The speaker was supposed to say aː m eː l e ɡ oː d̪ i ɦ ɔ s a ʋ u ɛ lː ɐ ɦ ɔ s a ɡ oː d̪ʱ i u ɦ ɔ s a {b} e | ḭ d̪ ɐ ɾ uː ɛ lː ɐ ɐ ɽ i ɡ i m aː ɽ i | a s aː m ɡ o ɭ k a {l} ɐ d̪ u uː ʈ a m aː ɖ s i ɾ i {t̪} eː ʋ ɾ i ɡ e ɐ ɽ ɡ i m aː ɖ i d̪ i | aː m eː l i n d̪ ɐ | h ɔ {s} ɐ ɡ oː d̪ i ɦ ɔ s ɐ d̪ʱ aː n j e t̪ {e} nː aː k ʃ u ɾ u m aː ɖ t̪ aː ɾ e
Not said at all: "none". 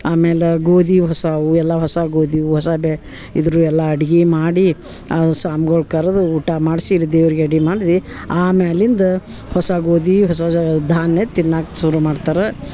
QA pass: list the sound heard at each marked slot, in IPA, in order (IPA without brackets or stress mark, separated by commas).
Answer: b, ɾ, d̪, s, i